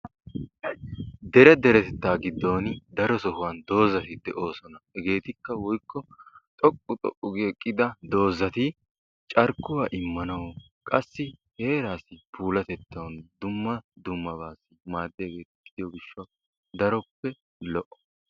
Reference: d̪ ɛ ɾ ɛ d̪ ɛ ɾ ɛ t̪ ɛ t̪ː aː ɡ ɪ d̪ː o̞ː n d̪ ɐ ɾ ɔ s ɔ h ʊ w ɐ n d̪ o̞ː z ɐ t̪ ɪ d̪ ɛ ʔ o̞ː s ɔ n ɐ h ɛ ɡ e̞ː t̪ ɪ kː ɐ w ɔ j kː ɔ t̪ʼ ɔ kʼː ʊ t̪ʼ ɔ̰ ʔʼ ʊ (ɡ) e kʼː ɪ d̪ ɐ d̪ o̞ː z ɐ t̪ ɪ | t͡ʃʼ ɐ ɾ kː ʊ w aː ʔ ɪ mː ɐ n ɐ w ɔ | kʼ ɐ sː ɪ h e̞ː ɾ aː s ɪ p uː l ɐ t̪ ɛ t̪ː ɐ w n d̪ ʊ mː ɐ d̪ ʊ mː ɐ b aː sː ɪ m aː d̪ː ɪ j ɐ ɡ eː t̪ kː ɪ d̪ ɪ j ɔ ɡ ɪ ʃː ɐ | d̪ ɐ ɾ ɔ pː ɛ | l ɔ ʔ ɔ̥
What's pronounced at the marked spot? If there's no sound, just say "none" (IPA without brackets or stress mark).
ɡ